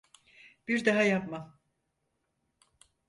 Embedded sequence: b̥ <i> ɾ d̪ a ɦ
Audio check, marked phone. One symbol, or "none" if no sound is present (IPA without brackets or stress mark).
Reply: i